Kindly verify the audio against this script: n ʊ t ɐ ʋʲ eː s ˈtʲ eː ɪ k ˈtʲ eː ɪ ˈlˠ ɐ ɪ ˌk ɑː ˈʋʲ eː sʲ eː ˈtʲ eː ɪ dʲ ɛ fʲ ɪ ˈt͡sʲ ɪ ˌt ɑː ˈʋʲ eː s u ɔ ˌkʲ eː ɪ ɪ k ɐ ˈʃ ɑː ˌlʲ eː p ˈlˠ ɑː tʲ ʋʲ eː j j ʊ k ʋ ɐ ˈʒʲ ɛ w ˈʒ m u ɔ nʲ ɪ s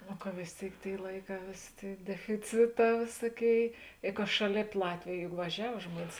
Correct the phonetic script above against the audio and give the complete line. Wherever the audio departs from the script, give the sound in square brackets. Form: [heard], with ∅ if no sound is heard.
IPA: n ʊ [k] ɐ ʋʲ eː s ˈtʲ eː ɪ k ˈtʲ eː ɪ ˈlˠ ɐ ɪ ˌk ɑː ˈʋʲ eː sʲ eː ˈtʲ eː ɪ dʲ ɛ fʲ ɪ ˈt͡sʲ ɪ ˌt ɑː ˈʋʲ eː s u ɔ ˌkʲ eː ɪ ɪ k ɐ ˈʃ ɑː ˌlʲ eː p ˈlˠ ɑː tʲ ʋʲ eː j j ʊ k ʋ ɐ ˈʒʲ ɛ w ˈʒ m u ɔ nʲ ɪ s